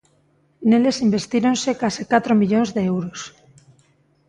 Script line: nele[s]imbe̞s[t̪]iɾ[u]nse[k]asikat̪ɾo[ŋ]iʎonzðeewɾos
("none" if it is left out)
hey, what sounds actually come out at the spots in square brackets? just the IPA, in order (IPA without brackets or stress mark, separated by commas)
s, t̪, o, k, m